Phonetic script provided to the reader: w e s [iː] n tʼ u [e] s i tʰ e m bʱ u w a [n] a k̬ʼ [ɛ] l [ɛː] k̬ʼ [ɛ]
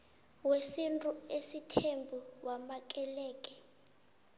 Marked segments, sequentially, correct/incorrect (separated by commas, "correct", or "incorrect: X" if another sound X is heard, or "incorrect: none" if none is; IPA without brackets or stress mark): incorrect: i, correct, incorrect: m, correct, correct, correct